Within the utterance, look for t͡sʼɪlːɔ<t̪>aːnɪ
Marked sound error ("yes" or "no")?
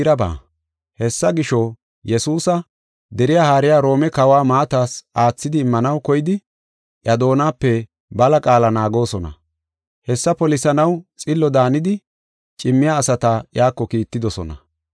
yes